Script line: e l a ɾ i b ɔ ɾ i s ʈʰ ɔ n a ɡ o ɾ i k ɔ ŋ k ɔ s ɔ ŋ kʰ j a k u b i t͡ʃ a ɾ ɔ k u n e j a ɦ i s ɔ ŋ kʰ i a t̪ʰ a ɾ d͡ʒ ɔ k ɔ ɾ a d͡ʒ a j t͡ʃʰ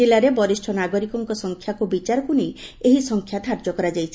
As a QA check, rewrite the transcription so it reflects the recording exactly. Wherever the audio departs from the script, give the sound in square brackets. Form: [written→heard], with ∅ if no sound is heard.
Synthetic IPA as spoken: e l a ɾ [i→e] b ɔ ɾ i s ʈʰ ɔ n a ɡ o ɾ i k ɔ ŋ k ɔ s ɔ ŋ kʰ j a k u b i t͡ʃ a ɾ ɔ k u n e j [a→e] ɦ i s ɔ ŋ kʰ [i→j] a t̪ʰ a ɾ d͡ʒ ɔ k ɔ ɾ a d͡ʒ a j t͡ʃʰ